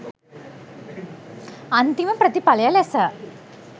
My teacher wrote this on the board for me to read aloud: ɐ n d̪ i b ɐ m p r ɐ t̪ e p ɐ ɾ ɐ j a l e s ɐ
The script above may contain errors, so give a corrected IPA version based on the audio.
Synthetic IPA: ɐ n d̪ i m ɐ m p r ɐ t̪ i p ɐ l ɐ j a l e s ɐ